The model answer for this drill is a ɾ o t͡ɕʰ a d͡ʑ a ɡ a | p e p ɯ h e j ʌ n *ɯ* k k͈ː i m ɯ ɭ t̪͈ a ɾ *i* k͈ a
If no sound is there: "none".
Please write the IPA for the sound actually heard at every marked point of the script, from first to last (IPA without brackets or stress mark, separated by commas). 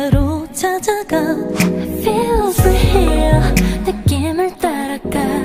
ɯ, a